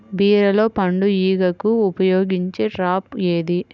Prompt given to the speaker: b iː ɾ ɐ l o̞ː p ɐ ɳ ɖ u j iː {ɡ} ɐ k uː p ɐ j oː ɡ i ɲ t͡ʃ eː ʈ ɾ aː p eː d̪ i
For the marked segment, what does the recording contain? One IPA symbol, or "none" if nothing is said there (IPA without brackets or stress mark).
ɡ